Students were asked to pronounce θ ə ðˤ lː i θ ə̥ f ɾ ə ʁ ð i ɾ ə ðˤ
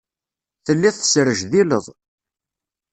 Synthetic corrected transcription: θ ə lː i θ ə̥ s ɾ ə ʒ ð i l ə ðˤ